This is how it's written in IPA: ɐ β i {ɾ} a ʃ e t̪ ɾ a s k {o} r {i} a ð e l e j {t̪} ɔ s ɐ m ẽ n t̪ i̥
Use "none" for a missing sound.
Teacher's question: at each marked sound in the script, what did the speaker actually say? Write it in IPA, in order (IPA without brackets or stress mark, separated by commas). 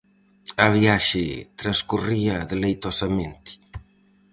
none, u, i, t̪